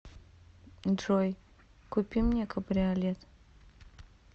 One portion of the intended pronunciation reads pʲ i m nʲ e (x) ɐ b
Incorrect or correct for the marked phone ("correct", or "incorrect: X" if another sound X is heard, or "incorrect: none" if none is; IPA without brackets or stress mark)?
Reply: incorrect: k